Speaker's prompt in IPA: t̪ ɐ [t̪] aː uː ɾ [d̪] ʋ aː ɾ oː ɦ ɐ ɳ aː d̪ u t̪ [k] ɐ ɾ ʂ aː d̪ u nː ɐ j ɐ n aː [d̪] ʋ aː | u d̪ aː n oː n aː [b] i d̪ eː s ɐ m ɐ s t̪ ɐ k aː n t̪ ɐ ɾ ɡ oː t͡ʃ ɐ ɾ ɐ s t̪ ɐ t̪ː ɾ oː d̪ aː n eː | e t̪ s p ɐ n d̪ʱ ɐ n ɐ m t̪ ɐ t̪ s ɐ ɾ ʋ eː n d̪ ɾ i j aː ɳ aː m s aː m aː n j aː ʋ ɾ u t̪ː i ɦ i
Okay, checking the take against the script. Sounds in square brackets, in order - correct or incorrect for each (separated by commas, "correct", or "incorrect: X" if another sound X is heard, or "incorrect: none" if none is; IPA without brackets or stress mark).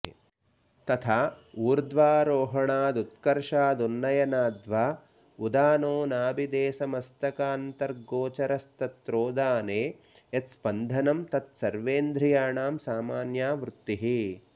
incorrect: t̪ʰ, correct, correct, correct, correct